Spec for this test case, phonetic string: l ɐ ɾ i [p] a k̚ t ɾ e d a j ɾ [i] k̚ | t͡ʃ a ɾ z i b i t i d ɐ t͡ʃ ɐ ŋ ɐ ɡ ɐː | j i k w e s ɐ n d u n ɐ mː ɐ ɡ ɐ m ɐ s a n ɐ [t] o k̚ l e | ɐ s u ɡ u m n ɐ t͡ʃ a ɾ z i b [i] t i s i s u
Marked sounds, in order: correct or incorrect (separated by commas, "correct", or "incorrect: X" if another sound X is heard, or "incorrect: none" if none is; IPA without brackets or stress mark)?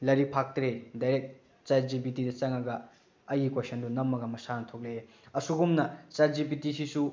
incorrect: pʰ, incorrect: e, incorrect: tʰ, correct